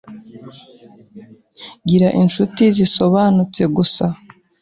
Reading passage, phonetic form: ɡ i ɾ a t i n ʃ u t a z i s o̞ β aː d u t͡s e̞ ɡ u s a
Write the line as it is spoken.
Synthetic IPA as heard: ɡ i ɾ a ʔ i n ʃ u t i z i s o̞ β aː n u t͡s e̞ ɡ u s a